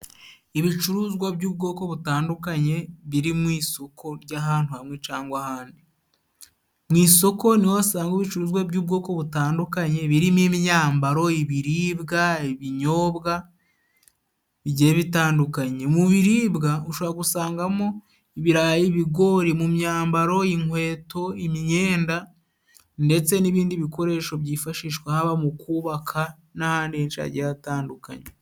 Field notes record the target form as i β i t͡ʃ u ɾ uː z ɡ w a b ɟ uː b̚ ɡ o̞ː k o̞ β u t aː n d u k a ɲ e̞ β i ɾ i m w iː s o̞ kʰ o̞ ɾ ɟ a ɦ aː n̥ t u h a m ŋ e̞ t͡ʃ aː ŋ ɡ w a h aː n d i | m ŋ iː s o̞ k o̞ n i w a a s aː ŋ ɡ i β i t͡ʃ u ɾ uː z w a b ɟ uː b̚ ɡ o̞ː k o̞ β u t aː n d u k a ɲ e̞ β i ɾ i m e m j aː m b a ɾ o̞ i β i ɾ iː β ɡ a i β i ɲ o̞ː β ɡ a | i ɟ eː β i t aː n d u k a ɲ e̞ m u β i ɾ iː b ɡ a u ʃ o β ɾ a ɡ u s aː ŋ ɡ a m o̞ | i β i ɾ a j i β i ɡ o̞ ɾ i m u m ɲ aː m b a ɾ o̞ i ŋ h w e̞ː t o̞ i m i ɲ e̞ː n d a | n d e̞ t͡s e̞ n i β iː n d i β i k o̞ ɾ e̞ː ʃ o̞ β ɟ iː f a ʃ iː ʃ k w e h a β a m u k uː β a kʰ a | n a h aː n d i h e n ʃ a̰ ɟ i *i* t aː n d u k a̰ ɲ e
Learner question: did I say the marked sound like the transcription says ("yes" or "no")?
no